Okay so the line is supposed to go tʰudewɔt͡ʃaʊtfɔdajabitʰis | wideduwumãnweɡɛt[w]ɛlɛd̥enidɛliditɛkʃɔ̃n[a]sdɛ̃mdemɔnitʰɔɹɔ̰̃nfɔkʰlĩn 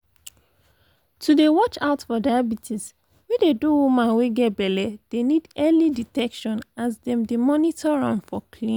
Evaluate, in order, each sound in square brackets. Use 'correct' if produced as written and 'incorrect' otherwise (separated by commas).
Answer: incorrect, correct